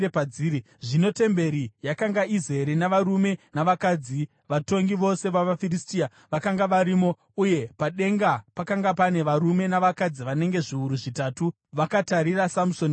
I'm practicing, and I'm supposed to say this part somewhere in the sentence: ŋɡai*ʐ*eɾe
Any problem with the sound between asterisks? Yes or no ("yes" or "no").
yes